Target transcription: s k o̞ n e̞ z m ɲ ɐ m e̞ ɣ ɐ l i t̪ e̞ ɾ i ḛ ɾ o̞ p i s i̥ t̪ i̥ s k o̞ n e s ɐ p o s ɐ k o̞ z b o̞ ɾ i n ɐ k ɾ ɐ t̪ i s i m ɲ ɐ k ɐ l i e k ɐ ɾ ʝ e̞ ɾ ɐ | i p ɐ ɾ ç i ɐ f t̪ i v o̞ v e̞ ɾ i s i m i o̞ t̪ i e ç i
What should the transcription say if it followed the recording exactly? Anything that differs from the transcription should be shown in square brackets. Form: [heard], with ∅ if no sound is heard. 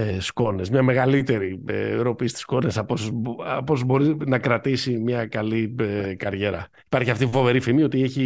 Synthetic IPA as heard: s k o̞ n e̞ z m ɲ ɐ m e̞ ɣ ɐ l i t̪ e̞ ɾ i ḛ ɾ o̞ p i s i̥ t̪ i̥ s k o̞ n e s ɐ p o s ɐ [p] o̞ z b o̞ ɾ i n ɐ k ɾ ɐ t̪ i s i m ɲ ɐ k ɐ l i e k ɐ ɾ ʝ e̞ ɾ ɐ | i p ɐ ɾ ç i ɐ f t̪ i [f] o̞ v e̞ ɾ i [f] i m i o̞ t̪ i e ç i